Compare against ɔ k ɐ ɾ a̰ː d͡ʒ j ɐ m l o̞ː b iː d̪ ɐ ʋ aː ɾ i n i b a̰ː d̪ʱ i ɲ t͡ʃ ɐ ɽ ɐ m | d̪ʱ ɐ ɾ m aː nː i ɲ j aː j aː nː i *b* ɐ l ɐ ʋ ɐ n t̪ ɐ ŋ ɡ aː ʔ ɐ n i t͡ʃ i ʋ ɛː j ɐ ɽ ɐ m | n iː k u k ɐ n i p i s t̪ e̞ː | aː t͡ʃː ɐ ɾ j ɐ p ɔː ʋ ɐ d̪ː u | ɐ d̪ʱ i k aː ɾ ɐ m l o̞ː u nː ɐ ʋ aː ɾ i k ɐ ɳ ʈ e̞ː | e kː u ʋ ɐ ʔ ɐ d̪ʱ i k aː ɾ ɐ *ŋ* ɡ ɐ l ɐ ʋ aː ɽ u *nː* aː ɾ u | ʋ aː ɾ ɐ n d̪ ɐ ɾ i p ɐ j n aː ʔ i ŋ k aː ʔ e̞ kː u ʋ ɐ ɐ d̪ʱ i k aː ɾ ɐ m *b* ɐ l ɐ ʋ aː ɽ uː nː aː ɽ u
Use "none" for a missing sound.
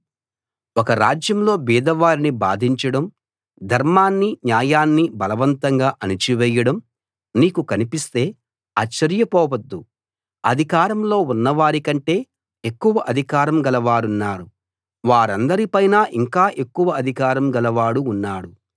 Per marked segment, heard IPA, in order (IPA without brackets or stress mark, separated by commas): b, m, nː, ɡ